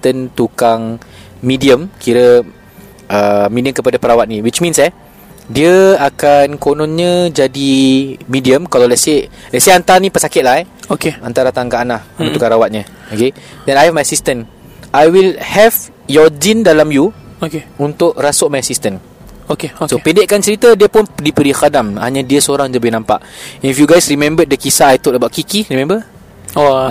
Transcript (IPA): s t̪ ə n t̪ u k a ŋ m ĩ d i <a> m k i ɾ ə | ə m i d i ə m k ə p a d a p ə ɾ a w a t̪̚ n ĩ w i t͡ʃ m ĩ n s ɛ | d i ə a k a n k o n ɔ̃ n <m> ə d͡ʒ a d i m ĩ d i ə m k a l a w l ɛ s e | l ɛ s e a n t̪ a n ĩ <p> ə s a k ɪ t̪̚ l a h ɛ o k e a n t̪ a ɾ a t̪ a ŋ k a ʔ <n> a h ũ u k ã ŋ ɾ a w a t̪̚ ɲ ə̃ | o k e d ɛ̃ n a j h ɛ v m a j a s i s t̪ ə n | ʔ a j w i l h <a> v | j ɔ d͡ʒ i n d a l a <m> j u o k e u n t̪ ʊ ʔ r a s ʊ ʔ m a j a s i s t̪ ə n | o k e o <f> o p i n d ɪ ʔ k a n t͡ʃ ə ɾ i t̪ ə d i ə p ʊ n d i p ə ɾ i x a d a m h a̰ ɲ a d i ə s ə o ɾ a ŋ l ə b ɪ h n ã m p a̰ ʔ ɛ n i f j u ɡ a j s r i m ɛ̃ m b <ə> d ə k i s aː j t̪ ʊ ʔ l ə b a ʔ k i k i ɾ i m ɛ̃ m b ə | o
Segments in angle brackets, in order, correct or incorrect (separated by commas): incorrect, incorrect, correct, correct, incorrect, correct, incorrect, correct